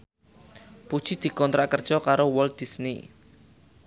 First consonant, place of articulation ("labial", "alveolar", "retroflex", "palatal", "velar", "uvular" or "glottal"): labial